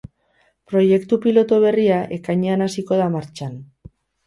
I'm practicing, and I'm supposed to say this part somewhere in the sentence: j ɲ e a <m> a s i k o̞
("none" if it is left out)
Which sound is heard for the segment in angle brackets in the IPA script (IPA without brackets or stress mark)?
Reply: n